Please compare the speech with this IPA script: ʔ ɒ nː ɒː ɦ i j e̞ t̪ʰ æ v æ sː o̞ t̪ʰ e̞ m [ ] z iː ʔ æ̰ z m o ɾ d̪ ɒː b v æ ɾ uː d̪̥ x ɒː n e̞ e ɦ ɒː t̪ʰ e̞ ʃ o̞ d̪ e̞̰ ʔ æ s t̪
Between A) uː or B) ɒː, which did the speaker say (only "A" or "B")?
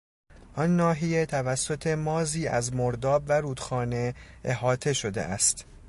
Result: B